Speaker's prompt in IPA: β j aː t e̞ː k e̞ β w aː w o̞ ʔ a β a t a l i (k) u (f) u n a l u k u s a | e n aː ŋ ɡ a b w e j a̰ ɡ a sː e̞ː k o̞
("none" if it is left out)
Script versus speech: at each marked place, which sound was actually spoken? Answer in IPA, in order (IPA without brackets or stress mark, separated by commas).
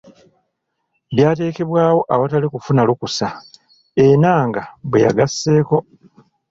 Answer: k, f